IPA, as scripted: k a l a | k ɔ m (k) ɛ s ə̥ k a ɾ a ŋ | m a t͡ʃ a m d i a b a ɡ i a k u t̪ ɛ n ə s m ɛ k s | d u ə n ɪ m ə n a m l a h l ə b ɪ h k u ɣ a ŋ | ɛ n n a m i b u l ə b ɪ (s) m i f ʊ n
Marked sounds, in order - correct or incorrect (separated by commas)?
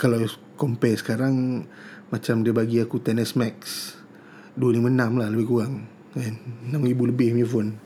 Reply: incorrect, incorrect